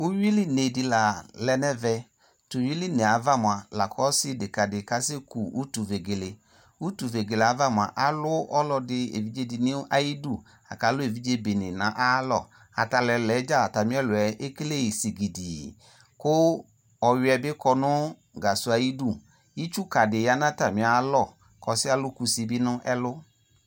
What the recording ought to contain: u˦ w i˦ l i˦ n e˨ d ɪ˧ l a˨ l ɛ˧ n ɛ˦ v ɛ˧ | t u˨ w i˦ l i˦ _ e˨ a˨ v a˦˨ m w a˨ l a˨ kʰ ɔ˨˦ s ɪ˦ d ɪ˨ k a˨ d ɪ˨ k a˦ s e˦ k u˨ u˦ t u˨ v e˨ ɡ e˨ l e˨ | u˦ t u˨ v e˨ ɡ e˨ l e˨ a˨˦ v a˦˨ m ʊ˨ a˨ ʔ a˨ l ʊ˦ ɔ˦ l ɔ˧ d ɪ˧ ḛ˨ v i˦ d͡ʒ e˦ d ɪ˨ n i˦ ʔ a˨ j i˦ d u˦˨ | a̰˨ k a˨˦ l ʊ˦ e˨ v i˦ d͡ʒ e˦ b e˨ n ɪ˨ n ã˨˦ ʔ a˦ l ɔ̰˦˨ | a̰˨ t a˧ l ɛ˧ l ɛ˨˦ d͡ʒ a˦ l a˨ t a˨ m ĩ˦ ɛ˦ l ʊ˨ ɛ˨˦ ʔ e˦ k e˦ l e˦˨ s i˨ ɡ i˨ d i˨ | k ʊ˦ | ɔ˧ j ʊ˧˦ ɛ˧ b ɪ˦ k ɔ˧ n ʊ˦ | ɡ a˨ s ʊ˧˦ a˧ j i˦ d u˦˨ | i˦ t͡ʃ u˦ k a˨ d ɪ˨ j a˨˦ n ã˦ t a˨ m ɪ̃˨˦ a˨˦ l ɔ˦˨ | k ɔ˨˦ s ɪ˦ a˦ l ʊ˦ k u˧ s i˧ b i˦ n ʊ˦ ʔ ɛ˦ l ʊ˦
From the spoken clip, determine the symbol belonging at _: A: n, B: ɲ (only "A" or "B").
A